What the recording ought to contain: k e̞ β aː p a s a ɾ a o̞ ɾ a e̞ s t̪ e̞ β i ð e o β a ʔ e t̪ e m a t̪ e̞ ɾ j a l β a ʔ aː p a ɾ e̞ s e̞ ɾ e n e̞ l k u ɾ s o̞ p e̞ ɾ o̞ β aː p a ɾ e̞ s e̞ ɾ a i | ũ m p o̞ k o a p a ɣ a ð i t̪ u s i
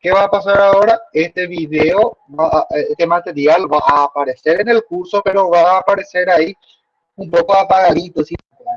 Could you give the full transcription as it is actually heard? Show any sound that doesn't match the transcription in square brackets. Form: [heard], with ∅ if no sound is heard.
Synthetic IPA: k e̞ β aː p a s a ɾ a o̞ ɾ a e̞ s t̪ e̞ β i ð e o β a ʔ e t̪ e m a t̪ e̞ ɾ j a l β a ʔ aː p a ɾ e̞ s e̞ ɾ e n e̞ l k u ɾ s o̞ p e̞ ɾ o̞ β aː p a ɾ e̞ s e̞ ɾ a i | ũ m p o̞ k o a p a ɣ a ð i t̪ [o] s i